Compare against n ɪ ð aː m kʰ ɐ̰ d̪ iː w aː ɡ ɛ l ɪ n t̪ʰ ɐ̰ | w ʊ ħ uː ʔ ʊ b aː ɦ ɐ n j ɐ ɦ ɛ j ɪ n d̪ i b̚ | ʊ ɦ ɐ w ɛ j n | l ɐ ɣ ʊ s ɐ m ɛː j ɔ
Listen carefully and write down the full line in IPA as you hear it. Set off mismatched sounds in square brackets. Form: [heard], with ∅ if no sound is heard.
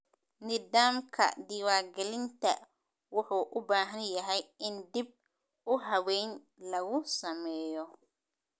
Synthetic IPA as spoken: n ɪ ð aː m kʰ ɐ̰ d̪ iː w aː ɡ ɛ l ɪ n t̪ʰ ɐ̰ | w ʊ ħ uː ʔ ʊ b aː ɦ ɐ n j ɐ ɦ ɛ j ɪ n d̪ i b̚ | ʊ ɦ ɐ w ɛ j n | l ɐ ɣ ʊ s ɐ m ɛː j ɔ